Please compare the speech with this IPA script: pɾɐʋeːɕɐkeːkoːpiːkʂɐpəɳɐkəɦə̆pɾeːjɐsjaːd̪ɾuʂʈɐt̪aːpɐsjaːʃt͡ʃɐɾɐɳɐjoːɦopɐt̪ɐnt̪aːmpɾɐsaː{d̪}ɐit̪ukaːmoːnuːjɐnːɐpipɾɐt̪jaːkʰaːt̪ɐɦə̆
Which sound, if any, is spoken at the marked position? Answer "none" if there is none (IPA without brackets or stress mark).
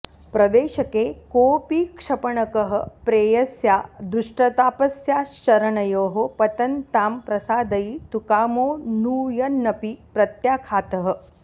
d̪